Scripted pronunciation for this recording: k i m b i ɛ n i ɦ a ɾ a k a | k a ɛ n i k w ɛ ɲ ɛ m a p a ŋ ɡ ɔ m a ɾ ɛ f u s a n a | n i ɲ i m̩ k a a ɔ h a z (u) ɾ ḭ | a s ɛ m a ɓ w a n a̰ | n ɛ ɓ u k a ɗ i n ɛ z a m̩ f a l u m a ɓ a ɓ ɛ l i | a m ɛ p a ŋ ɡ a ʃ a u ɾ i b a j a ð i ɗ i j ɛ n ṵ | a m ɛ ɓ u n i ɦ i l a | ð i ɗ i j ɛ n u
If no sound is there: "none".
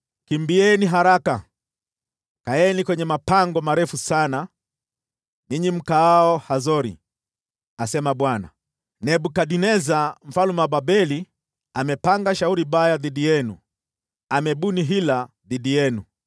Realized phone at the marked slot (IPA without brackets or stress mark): ɔ